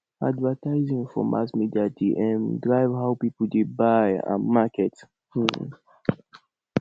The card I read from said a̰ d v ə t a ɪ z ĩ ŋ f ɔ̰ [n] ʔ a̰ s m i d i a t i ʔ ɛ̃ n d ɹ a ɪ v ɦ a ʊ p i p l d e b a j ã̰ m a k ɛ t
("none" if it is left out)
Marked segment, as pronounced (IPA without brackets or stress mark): m